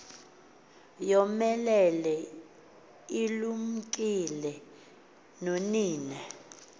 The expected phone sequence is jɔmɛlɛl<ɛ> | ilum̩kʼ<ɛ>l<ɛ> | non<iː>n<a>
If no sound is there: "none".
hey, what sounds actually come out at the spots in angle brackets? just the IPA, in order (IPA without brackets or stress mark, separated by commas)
ɛ, i, ɛ, iː, ɛ